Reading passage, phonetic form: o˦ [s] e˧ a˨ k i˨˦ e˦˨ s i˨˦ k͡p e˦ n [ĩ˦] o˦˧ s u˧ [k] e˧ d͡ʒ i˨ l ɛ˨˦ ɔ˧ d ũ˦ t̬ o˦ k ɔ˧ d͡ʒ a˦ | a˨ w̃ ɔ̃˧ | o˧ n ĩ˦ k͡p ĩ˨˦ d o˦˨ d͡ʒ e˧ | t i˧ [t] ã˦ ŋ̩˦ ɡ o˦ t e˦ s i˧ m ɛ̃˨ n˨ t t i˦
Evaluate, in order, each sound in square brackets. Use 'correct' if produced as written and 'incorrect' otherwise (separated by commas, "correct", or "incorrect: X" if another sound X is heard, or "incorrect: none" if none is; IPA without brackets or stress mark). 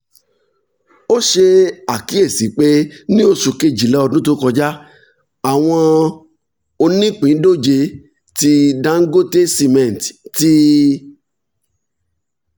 incorrect: ʃ, correct, correct, incorrect: d